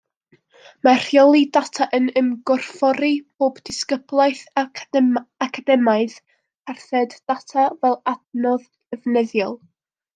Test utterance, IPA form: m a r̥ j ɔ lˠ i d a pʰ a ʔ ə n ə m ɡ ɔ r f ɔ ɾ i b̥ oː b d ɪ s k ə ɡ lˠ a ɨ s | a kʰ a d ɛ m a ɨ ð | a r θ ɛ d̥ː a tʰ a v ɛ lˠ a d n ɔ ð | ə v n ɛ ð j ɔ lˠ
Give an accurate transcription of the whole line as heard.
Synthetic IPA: m a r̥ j ɔ lˠ i d a tʰ a ʔ ə n ə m ɡ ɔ r f ɔ ɾ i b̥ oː b d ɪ s k ə b lˠ a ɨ θ | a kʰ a d ɛ m a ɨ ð | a r θ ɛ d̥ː a tʰ a v ɛ lˠ a d n ɔ ð | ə v n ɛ ð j ɔ lˠ